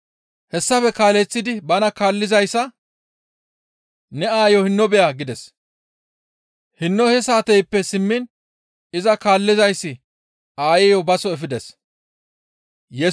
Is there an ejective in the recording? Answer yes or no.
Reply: no